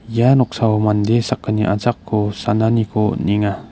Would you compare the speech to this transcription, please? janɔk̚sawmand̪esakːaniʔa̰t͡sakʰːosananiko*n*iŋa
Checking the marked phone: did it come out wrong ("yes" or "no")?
no